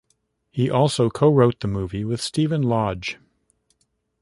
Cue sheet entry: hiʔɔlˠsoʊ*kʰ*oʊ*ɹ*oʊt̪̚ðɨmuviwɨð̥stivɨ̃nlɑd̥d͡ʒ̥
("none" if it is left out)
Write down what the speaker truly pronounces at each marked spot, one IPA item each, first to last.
kʰ, ɹ

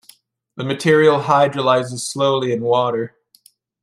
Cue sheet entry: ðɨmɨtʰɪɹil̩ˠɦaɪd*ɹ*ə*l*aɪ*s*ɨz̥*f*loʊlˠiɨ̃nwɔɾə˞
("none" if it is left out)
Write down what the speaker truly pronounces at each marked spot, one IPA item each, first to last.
ɹ, l, z, s

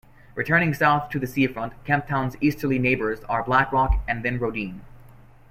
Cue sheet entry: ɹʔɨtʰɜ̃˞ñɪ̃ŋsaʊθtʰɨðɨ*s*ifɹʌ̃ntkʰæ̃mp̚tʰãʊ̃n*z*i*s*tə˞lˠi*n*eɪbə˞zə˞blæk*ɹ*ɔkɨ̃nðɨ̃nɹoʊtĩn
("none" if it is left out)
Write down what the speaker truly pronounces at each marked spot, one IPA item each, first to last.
s, z, s, n, ɹ

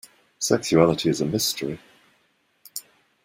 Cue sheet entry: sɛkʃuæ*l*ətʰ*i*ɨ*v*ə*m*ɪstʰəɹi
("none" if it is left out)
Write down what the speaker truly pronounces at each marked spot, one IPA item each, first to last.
l, i, z, m

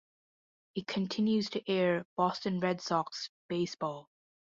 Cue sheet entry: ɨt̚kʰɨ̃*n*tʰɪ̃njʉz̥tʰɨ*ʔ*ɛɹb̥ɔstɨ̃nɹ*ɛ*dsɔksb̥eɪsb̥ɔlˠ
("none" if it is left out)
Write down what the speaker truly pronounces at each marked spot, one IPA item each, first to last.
n, ʔ, ɛ

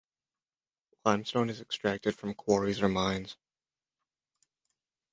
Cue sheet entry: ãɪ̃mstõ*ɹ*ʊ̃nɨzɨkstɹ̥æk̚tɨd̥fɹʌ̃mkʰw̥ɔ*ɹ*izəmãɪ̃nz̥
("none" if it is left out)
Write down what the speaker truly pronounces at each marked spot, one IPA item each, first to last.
none, ɹ

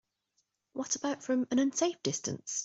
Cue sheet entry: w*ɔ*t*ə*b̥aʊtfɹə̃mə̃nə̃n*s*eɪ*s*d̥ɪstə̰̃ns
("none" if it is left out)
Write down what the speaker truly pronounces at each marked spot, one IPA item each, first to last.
ɒ, ə, s, f

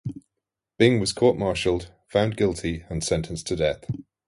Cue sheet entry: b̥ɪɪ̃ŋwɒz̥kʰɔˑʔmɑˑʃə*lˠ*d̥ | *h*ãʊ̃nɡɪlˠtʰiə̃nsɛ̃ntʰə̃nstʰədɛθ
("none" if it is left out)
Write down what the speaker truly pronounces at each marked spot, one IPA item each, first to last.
lˠ, f

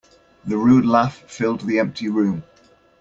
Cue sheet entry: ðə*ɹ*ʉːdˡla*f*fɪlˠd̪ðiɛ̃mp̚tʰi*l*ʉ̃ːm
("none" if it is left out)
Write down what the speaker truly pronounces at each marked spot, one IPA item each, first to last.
ɹ, f, ɹ

